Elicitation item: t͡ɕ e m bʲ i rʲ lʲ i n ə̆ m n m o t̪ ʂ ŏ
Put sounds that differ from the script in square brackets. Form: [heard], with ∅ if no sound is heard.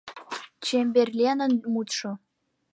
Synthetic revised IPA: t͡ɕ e m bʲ [e] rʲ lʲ [e] n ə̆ [∅] n m [u] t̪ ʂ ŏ